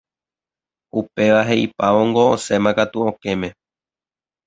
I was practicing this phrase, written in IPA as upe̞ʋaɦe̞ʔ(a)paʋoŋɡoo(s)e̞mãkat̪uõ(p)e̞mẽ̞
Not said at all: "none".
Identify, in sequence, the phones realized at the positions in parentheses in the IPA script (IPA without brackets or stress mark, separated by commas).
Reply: i, s, k